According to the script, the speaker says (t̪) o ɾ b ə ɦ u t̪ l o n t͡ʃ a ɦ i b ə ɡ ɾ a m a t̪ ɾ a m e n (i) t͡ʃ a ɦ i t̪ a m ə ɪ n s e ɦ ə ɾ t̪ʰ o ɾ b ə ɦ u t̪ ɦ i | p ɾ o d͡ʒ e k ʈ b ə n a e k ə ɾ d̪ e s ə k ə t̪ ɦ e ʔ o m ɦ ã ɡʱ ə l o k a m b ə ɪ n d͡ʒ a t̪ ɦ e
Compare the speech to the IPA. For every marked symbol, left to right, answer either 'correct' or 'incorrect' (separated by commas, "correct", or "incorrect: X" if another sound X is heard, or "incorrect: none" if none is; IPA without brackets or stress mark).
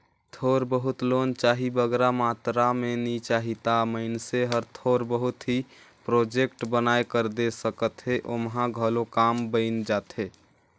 incorrect: t̪ʰ, correct